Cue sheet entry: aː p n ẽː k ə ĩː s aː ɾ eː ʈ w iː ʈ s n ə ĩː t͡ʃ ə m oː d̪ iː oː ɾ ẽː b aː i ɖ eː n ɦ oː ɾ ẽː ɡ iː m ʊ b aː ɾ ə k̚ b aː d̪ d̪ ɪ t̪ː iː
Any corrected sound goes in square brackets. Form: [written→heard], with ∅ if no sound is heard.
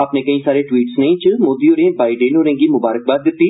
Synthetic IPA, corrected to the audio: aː p n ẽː k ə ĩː s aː ɾ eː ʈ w iː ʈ s n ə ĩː t͡ʃ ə m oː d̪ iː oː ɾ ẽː b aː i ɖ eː n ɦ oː ɾ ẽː ɡ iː m ʊ b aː ɾ ə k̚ b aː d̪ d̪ ɪ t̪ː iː